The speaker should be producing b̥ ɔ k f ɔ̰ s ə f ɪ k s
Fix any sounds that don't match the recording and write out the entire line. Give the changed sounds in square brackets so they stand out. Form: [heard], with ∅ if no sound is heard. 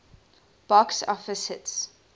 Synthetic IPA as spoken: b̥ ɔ k [s] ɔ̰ [f] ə [s] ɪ [t] s